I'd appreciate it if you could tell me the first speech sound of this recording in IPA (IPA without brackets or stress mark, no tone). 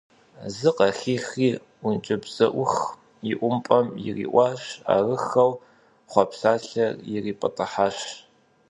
z